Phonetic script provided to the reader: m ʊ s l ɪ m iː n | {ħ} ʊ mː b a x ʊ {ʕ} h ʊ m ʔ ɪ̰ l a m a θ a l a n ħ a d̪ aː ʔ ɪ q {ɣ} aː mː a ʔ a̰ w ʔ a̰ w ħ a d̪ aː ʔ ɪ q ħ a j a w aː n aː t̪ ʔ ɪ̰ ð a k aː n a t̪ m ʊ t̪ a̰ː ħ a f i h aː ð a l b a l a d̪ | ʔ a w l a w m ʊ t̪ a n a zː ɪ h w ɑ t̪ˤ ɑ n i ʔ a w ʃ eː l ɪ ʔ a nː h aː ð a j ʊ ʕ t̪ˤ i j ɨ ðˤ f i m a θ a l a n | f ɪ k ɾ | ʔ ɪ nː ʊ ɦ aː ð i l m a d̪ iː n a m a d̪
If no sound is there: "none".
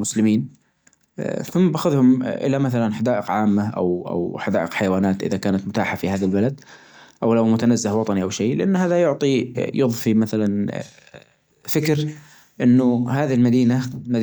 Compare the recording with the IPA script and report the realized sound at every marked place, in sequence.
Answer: θ, ð, ʕ

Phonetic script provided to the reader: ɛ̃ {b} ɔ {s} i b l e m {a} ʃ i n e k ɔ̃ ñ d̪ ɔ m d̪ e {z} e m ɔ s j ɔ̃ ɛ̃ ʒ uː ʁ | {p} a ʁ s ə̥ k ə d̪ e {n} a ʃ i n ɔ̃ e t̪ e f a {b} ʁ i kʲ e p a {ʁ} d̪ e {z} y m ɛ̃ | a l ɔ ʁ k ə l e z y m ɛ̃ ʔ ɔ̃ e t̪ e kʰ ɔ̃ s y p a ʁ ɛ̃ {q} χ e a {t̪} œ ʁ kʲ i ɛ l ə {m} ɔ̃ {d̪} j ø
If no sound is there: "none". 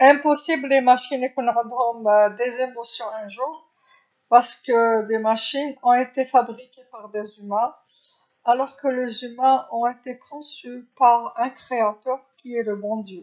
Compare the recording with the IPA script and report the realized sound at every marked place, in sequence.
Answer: p, s, a, z, p, m, b, ʁ, z, k, t̪, b, d̪

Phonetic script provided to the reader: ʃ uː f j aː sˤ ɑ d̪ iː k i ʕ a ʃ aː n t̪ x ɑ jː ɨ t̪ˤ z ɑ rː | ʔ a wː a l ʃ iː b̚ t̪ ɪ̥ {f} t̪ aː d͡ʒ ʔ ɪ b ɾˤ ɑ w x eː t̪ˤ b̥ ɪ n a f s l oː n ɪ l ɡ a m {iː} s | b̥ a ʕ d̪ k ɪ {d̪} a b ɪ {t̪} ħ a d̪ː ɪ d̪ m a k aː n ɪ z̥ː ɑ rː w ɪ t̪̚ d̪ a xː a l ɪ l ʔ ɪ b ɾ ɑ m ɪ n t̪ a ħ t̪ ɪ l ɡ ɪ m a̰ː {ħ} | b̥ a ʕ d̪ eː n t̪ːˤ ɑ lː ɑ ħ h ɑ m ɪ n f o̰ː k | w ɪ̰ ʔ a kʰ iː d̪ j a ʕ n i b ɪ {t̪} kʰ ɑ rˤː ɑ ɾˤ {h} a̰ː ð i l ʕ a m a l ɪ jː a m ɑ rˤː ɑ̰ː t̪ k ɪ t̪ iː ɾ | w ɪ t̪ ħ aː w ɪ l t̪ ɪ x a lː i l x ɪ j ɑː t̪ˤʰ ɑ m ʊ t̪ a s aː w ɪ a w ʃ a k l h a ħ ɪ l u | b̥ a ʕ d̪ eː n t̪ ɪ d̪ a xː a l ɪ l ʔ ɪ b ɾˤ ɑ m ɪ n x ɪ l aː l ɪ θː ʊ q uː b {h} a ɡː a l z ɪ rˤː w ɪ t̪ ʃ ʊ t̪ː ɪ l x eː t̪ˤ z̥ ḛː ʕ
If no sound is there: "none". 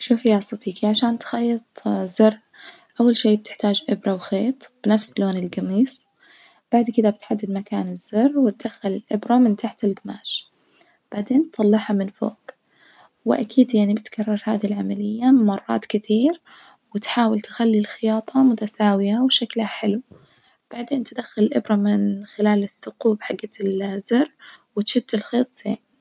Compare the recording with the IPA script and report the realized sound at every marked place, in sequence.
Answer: ħ, iː, d̪, t̪, ʃ, t̪, h, ħ

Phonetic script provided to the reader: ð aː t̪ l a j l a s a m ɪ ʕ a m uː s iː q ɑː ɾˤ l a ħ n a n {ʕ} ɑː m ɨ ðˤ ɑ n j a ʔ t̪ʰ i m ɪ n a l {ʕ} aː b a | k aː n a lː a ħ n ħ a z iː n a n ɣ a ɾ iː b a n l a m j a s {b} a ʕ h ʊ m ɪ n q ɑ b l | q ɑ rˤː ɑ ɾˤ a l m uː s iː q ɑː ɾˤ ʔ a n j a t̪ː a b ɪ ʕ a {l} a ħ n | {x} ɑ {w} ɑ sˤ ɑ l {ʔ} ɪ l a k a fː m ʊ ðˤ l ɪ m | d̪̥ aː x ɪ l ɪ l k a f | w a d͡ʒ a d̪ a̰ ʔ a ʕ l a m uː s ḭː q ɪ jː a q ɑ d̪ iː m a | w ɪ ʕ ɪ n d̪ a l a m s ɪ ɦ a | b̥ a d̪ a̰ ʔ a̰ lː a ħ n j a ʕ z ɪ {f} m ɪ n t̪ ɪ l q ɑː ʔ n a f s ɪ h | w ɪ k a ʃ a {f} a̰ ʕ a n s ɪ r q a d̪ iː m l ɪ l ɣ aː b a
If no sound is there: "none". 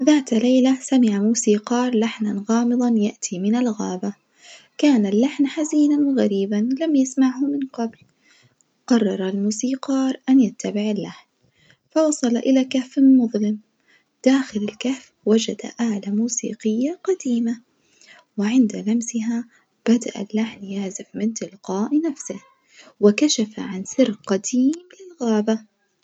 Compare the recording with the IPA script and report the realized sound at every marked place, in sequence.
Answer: ɣ, ɣ, m, lː, f, w, ʔ, f, f

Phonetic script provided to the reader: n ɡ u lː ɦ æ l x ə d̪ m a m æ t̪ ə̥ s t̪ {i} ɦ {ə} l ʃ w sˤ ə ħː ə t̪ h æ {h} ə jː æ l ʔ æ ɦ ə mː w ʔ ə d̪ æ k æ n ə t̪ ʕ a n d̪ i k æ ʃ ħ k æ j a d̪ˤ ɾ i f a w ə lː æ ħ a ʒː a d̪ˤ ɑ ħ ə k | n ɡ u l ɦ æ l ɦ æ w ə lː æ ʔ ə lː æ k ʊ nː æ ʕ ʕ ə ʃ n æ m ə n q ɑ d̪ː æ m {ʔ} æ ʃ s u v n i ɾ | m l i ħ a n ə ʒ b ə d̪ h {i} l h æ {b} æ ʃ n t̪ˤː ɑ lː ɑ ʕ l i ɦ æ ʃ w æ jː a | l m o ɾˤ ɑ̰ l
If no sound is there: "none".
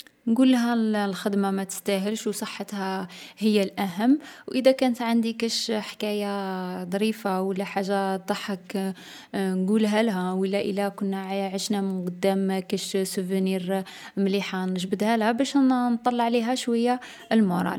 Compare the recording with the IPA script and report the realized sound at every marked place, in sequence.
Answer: æ, ə, h, k, æ, b

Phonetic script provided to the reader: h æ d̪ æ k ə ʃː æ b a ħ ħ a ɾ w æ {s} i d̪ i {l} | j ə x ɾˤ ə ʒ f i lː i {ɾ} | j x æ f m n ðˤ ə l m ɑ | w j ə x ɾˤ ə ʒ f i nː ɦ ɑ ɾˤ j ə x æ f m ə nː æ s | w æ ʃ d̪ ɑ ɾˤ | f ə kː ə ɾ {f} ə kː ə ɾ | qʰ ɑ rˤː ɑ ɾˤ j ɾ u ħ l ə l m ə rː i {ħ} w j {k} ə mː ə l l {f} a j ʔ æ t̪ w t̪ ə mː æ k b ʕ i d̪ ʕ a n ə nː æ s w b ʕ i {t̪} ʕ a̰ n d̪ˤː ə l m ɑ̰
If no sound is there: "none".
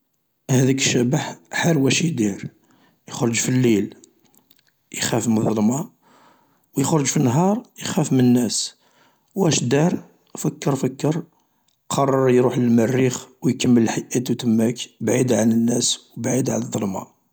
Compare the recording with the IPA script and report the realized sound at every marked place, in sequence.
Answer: ʃ, ɾ, l, f, x, k, ħ, d̪

